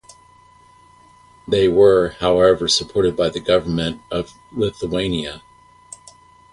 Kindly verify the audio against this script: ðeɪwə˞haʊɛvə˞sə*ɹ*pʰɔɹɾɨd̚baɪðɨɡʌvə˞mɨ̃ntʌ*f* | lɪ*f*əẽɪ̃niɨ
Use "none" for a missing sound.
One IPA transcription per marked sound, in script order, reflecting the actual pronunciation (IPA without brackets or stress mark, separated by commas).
none, v, θ